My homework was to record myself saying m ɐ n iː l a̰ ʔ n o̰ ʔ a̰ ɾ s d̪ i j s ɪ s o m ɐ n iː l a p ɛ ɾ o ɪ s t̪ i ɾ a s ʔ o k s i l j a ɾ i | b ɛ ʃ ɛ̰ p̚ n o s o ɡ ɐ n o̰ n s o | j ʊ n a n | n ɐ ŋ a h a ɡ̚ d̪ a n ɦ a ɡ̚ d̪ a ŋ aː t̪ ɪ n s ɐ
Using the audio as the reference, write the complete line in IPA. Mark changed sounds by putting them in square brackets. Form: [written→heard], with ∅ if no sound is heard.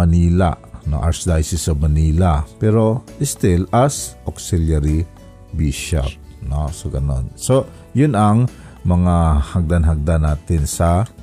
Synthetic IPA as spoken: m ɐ n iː l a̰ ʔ n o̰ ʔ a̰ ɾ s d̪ [i→a] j s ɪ s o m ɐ n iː l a p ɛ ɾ o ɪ s t̪ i [ɾ→l] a s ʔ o k s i l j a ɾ i | b [ɛ→i] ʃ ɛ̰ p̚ n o s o ɡ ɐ n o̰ n s o | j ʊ n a [n→ŋ] | [n→m] ɐ ŋ a h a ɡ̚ d̪ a n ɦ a ɡ̚ d̪ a [ŋ→n] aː t̪ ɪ n s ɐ